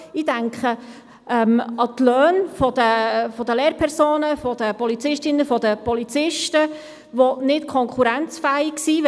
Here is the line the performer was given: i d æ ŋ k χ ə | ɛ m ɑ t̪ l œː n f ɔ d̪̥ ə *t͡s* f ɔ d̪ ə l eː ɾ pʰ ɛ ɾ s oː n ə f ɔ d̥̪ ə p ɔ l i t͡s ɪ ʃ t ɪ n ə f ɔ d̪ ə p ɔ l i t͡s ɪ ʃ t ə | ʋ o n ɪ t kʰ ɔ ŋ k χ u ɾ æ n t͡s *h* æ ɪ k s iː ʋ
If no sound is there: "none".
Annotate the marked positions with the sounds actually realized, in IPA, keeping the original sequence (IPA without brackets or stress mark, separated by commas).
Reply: none, f